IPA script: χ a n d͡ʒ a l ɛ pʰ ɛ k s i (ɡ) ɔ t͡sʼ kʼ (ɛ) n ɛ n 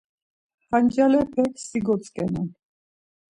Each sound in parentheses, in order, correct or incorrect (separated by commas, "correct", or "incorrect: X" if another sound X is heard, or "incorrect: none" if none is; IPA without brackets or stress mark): correct, correct